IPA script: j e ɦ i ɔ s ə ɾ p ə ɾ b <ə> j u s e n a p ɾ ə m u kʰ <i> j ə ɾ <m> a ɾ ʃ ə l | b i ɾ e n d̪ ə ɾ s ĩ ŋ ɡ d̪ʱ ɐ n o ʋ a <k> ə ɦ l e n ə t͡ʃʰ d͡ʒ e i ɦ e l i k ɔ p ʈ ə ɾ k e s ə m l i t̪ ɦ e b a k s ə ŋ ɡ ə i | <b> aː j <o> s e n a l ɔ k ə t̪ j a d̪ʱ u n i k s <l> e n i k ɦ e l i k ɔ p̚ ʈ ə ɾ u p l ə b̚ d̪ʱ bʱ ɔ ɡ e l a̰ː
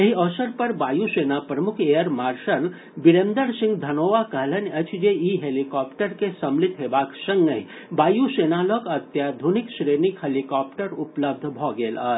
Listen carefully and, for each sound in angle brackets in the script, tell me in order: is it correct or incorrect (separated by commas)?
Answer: incorrect, incorrect, correct, correct, correct, incorrect, incorrect